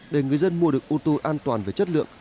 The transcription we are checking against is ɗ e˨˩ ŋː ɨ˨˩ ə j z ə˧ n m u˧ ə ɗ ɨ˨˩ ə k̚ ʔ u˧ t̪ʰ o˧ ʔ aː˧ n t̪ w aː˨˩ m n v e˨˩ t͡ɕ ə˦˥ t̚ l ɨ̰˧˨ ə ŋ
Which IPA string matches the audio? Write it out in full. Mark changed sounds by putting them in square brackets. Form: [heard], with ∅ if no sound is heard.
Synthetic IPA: ɗ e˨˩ [ŋ] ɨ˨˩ ə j z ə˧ n m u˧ ə ɗ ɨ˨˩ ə k̚ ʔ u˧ [t̪] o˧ ʔ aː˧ n t̪ w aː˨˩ [∅] n v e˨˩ t͡ɕ ə˦˥ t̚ l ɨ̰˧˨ ə ŋ